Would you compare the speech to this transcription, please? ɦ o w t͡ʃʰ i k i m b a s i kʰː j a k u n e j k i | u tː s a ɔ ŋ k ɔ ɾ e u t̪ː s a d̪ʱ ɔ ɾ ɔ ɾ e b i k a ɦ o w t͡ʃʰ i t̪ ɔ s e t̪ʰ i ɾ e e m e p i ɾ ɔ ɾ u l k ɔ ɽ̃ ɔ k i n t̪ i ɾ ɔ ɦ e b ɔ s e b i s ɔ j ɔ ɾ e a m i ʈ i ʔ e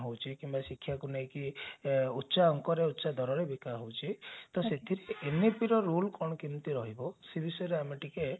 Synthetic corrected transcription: ɦ o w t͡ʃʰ i k i m b a s i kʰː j a k u n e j k i | u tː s a ɔ ŋ k ɔ ɾ e u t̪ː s a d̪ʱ ɔ ɾ ɔ ɾ e b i k a ɦ o w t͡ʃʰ i t̪ ɔ s e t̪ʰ i ɾ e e n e p i ɾ ɔ ɾ u l k ɔ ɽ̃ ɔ k i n t̪ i ɾ ɔ ɦ i b ɔ s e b i s ɔ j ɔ ɾ e a m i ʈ i k e

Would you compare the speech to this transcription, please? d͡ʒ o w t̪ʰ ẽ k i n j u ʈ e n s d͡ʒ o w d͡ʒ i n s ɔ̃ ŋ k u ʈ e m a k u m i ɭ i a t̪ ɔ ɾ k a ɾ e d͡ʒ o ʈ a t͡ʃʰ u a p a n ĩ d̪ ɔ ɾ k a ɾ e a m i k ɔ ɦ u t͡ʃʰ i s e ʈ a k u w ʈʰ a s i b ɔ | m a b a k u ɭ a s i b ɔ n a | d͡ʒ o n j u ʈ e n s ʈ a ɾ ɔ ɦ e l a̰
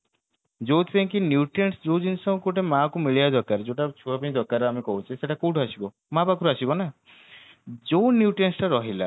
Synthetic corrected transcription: d͡ʒ o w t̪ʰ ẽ k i n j u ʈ e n s d͡ʒ o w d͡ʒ i n s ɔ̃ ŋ k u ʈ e m a k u m i ɭ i a d̪ ɔ ɾ k a ɾ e d͡ʒ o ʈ a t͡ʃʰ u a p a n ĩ d̪ ɔ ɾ k a ɾ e a m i k ɔ ɦ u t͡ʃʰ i s e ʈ a k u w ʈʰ a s i b ɔ | m a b a k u ɾ a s i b ɔ n a | d͡ʒ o n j u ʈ e n s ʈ a ɾ ɔ ɦ i l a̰

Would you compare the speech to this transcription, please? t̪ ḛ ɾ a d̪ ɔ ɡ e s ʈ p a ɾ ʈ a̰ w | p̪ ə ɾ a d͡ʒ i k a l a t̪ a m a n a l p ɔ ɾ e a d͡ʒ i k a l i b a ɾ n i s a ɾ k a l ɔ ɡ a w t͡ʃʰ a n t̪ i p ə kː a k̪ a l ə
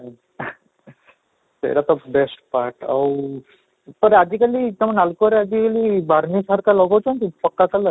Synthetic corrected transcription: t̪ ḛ ɾ a t̪ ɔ b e s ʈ p a ɾ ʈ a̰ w | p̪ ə ɾ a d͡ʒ i k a l i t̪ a m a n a l k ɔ ɾ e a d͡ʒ i k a l i b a ɾ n i s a ɾ k a l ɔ ɡ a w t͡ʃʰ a n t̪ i p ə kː a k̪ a l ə

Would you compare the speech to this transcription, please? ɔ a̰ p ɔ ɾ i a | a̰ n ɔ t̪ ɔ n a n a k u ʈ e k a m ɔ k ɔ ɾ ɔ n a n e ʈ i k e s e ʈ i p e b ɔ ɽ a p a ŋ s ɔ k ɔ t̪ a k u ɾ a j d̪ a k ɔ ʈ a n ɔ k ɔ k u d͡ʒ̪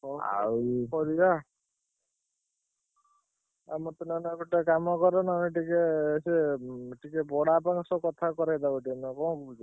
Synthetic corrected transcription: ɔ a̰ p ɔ ɾ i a | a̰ m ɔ t̪ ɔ n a n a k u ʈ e k a m ɔ k ɔ ɾ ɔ n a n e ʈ i k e s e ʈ i k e b ɔ ɽ a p a ŋ s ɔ k ɔ t̪ʰ a k ɔ ɾ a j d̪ a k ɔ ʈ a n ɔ k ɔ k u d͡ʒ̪

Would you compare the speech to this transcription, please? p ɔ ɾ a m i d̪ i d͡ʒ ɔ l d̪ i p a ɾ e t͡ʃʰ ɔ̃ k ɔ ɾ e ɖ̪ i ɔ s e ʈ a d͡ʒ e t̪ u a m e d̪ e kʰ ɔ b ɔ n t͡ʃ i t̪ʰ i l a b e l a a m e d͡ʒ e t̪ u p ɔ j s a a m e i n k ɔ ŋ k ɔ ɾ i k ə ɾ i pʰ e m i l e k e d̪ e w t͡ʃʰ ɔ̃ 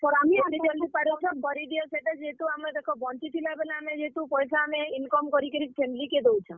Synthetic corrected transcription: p ɔ ɾ a m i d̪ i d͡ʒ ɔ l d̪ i p a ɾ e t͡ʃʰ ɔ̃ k ɔ ɾ i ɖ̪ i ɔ s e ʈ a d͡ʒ e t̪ u a m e d̪ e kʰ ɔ b ɔ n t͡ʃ i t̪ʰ i l a b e l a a m e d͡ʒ e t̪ u p ɔ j s a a m e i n k ɔ m k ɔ ɾ i k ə ɾ i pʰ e m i l i k e d̪ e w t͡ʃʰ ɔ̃

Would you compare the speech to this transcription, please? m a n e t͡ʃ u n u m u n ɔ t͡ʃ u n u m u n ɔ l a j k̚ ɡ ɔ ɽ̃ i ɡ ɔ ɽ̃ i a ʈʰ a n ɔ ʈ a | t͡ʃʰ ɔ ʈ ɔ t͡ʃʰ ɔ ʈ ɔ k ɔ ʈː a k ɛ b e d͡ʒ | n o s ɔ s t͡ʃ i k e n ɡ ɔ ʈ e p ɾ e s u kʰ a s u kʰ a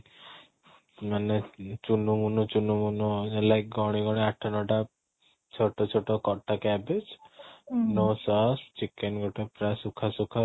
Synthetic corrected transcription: m a n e t͡ʃ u n u m u n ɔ t͡ʃ u n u m u n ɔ l a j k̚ ɡ ɔ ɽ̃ i ɡ ɔ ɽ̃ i a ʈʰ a n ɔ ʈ a | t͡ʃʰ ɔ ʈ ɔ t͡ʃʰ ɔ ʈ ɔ k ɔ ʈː a k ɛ b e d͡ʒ | n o s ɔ s t͡ʃ i k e n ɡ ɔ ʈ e p ɾ a s u kʰ a s u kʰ a

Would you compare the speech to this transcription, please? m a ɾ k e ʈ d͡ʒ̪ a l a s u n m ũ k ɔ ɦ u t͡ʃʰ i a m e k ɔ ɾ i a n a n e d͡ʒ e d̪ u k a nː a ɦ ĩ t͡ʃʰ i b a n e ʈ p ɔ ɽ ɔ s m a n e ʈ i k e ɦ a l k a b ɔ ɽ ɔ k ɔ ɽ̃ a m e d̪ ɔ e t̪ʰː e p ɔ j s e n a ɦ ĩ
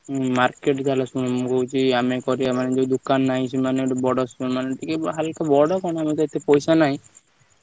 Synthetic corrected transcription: m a ɾ k e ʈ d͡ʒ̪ a l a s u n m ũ k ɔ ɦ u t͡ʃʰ i a m e k ɔ ɾ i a m a n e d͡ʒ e d̪ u k a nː a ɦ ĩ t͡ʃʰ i m a n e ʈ b ɔ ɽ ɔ s m a n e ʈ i k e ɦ a l k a b ɔ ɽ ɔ k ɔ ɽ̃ a m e t̪ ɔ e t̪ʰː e p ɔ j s a n a ɦ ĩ

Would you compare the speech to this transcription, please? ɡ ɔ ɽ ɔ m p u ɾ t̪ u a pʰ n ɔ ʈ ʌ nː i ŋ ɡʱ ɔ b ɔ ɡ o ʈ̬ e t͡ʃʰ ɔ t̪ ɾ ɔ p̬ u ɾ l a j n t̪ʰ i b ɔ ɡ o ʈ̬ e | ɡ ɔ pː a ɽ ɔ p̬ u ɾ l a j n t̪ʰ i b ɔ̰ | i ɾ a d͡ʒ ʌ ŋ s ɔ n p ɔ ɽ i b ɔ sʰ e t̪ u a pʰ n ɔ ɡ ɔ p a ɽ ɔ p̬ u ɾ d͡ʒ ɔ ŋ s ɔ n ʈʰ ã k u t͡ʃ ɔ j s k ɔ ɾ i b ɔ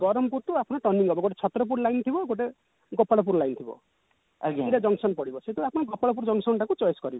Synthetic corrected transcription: ɡ ɔ ɾ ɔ m p u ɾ t̪ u a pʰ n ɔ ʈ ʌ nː i ŋ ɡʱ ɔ b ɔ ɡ o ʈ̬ e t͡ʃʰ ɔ t̪ ɾ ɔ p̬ u ɾ l a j n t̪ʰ i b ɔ ɡ o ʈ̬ e | ɡ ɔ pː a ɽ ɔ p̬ u ɾ l a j n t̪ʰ i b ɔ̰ | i ɾ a d͡ʒ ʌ ŋ s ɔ n p ɔ ɽ i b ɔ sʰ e t̪ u a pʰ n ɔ ɡ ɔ p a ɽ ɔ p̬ u ɾ d͡ʒ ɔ ŋ s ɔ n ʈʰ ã k u t͡ʃ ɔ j s k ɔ ɾ i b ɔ

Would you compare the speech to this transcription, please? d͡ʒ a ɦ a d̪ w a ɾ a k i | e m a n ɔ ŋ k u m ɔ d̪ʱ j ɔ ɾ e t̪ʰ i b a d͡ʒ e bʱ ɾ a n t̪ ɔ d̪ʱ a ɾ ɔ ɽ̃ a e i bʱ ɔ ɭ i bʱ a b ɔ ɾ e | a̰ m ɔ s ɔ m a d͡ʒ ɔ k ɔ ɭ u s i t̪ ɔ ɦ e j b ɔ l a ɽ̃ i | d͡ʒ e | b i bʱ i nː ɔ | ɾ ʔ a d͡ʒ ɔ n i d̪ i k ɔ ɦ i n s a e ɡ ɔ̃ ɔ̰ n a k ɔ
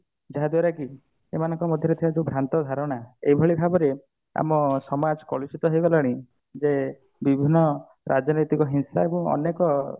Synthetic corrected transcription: d͡ʒ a ɦ a d̪ w a ɾ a k i | e m a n ɔ ŋ k ɔ m ɔ d̪ʱ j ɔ ɾ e t̪ʰ i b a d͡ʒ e bʱ ɾ a n t̪ ɔ d̪ʱ a ɾ ɔ ɽ̃ a e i bʱ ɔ ɭ i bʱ a b ɔ ɾ e | a̰ m ɔ s ɔ m a d͡ʒ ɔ k ɔ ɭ u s i t̪ ɔ ɦ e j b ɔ l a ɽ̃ i | d͡ʒ e | b i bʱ i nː ɔ | ɾ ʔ a d͡ʒ ɔ n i t̪ i k ɔ ɦ i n s a e b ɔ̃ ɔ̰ n e k ɔ

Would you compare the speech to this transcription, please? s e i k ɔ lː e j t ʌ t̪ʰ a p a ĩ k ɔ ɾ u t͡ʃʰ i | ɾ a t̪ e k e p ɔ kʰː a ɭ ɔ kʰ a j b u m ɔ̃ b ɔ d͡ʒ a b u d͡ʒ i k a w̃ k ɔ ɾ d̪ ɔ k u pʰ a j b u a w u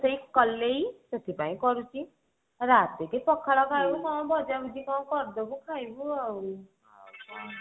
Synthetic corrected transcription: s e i k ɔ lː e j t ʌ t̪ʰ i p a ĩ k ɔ ɾ u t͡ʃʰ i | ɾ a t̪ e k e p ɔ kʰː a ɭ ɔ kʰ a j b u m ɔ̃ b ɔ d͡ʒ a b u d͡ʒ i k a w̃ k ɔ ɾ d̪ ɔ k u kʰ a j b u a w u

